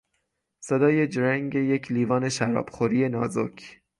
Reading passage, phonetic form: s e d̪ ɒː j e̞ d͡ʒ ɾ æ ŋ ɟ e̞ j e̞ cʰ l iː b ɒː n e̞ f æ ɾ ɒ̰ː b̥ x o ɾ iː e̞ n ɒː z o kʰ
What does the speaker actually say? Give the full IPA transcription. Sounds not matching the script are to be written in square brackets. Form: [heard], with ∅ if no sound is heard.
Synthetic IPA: s e d̪ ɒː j e̞ d͡ʒ ɾ æ ŋ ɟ e̞ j e̞ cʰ l iː [v] ɒː n e̞ [ʃ] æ ɾ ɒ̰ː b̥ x o ɾ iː e̞ n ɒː z o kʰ